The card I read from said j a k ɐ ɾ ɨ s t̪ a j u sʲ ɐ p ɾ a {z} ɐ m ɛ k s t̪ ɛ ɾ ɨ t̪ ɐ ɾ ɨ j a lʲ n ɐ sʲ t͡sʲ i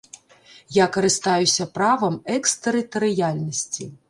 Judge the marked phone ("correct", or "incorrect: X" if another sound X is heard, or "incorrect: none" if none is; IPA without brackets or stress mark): incorrect: v